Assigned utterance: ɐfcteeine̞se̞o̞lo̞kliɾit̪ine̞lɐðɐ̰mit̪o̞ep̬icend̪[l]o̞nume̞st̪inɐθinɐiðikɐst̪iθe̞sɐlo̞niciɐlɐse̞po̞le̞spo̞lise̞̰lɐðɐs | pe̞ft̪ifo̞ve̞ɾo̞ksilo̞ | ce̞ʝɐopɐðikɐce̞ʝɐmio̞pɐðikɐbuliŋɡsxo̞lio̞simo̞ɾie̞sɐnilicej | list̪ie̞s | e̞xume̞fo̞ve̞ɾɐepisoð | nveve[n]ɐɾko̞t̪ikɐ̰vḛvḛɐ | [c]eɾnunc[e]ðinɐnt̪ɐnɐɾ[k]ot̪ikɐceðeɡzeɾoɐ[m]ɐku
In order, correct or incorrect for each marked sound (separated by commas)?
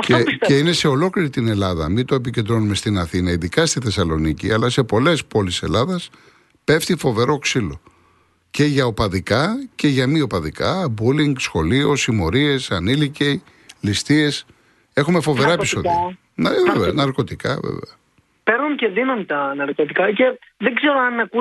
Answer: incorrect, correct, incorrect, correct, correct, incorrect